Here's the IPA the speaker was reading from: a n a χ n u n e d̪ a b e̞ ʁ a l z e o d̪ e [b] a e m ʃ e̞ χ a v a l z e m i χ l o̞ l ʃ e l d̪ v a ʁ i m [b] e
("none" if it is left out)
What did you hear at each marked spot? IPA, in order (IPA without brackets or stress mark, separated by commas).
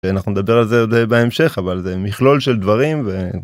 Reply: b, v